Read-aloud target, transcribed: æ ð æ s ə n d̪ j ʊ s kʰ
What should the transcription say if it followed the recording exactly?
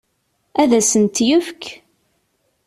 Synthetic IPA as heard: æ ð æ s ə n t̪ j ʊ f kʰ